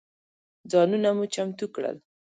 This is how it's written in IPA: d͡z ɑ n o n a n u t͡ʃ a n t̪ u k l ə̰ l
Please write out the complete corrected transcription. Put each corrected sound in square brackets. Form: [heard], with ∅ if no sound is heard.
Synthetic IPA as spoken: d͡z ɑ n [u] n a [m] u t͡ʃ a [m] t̪ u k [ɽ] ə̰ l